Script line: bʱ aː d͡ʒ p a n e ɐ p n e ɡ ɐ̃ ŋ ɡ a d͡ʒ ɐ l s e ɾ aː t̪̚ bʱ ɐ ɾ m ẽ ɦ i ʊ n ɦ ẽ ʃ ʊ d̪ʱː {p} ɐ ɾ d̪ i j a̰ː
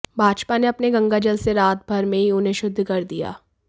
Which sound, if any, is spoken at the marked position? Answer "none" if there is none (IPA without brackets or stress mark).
k